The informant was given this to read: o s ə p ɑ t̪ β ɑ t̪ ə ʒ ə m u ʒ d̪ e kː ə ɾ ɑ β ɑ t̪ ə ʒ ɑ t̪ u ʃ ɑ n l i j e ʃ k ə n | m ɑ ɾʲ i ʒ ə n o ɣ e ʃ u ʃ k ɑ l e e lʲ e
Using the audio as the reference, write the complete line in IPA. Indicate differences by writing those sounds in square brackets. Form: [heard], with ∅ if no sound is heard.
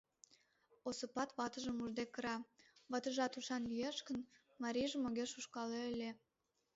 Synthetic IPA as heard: o s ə p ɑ t̪ β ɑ t̪ ə ʒ ə m u ʒ d̪ e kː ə ɾ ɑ β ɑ t̪ ə ʒ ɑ t̪ u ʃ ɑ n l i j e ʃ k ə n | m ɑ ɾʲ i ʒ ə [m] o ɣ e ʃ u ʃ k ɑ l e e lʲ e